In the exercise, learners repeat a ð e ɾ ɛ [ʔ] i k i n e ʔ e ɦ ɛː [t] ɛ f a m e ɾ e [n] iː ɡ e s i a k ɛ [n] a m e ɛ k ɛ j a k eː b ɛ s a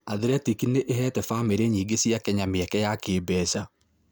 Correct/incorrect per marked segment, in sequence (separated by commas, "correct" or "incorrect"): incorrect, correct, incorrect, incorrect